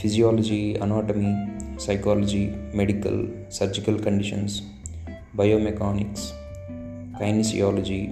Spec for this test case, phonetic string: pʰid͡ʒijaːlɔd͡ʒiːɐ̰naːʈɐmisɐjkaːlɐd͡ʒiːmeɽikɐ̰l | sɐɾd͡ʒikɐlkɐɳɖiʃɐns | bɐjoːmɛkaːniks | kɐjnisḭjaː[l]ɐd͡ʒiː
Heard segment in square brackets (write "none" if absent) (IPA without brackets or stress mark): l